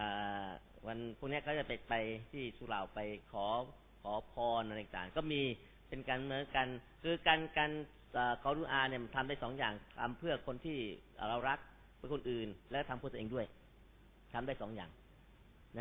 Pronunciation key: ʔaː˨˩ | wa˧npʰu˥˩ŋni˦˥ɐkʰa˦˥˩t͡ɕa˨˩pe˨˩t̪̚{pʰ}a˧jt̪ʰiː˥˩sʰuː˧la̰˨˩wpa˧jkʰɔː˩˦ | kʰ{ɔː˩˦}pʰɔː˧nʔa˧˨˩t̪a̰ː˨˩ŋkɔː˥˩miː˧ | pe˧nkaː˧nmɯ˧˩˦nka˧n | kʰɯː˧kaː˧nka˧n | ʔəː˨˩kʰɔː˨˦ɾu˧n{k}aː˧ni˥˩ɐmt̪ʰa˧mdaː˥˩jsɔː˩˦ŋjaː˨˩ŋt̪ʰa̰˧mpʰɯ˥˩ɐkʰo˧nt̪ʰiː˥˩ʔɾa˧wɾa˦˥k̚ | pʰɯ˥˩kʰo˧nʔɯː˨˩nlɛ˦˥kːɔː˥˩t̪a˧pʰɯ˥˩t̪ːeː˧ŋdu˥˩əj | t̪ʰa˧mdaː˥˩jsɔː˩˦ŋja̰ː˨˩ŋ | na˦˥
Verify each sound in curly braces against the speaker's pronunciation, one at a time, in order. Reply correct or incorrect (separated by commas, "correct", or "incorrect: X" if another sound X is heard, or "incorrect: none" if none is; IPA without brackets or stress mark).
incorrect: p, correct, incorrect: ʔ